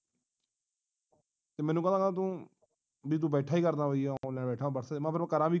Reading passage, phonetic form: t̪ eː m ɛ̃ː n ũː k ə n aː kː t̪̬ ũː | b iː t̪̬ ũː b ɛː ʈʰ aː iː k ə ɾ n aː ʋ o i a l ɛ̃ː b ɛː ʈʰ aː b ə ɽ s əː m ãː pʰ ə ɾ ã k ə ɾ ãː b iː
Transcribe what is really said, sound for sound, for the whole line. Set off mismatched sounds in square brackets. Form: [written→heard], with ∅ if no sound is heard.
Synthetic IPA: t̪ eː m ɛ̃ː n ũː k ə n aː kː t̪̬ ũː | b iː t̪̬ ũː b ɛː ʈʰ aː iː k ə ɾ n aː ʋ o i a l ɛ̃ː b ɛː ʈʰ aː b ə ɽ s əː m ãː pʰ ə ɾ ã k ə ɾ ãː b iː